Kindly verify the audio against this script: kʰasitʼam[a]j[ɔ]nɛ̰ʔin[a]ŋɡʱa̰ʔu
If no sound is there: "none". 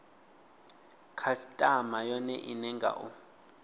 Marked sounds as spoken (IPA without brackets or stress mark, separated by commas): a, ɔ, ɛ